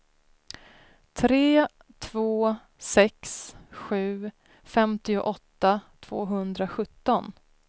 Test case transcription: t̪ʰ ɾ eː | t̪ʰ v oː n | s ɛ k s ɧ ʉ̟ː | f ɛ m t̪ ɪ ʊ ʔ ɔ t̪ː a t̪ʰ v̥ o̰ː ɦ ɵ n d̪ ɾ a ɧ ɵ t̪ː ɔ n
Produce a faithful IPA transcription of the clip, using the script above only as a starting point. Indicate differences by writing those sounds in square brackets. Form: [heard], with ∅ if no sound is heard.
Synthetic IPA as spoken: t̪ʰ ɾ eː | t̪ʰ v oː [∅] | s ɛ k s ɧ ʉ̟ː | f ɛ m t̪ ɪ ʊ ʔ ɔ t̪ː a t̪ʰ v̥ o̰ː ɦ ɵ n d̪ ɾ a ɧ ɵ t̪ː ɔ n

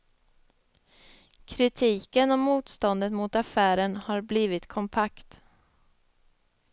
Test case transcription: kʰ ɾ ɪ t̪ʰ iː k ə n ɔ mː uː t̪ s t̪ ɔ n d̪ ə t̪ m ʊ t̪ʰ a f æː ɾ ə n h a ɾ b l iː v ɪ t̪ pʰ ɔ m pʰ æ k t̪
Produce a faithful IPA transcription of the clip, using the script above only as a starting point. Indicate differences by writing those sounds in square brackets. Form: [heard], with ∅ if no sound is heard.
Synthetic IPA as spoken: kʰ ɾ ɪ t̪ʰ iː k ə n ɔ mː uː t̪ s t̪ ɔ n d̪ ə t̪ m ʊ [t̪] a f æː ɾ ə n h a ɾ b l iː v ɪ t̪ [kʰ] ɔ m pʰ [a] k t̪

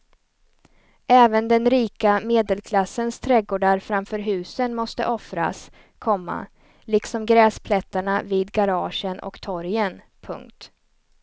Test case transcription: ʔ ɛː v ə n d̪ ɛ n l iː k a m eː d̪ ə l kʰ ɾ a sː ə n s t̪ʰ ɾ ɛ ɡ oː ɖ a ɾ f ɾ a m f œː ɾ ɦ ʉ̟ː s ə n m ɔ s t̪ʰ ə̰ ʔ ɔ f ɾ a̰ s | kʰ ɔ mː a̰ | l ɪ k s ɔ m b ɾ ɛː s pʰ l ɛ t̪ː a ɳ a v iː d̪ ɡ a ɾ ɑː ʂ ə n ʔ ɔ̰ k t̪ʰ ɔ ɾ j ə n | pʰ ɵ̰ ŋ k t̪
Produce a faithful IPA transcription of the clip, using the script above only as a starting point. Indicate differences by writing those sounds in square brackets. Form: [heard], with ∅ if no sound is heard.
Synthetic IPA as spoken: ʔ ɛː v ə n d̪ ɛ n [ɾ] iː k a m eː d̪ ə l kʰ [l] a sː ə n s t̪ʰ ɾ ɛ ɡ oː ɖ a ɾ f ɾ a m f œː ɾ ɦ ʉ̟ː s ə n m ɔ s [t̪] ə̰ ʔ ɔ f ɾ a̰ s | kʰ ɔ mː a̰ | l ɪ k s ɔ m [ɡ] ɾ ɛː s pʰ l ɛ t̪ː a ɳ a v iː d̪ ɡ a ɾ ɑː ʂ ə n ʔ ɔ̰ k t̪ʰ ɔ ɾ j ə n | pʰ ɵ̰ ŋ k t̪

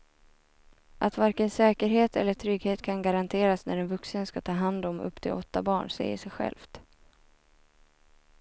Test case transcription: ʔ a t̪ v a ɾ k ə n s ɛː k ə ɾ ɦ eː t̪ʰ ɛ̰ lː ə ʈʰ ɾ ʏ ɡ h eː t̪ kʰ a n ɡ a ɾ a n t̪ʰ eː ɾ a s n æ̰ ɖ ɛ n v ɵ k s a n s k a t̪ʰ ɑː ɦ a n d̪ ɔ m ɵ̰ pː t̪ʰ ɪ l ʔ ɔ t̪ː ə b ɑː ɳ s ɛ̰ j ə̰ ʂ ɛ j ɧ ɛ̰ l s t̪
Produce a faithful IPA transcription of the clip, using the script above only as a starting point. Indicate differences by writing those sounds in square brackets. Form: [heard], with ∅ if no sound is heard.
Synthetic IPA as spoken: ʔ a t̪ v a ɾ k ə n s ɛː k ə ɾ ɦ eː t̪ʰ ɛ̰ lː ə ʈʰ ɾ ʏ ɡ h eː t̪ kʰ a n ɡ a ɾ a n t̪ʰ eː ɾ a s n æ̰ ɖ ɛ n v ɵ k s [ə] n s k a t̪ʰ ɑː ɦ a n d̪ ɔ m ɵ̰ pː t̪ʰ ɪ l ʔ ɔ t̪ː [a] b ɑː ɳ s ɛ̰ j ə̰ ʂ ɛ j ɧ ɛ̰ l [f] t̪

